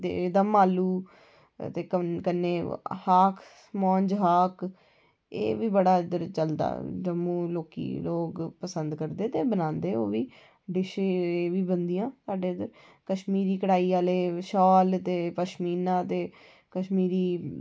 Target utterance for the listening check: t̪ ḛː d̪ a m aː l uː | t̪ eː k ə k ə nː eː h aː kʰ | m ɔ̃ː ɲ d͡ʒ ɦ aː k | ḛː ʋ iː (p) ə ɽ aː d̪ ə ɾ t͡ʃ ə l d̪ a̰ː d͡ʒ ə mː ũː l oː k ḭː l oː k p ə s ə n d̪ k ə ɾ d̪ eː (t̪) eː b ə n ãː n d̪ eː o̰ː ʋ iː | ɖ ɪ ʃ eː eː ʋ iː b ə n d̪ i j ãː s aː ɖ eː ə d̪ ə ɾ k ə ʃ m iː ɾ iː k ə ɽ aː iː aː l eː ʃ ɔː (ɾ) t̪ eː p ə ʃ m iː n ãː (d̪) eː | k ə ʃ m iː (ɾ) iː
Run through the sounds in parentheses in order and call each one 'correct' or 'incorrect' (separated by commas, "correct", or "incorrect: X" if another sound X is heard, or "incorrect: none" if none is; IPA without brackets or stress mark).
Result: incorrect: b, correct, incorrect: l, incorrect: t̪, correct